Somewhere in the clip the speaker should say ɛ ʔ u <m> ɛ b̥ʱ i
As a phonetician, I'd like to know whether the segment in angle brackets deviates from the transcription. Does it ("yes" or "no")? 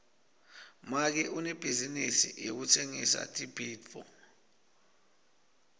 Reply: yes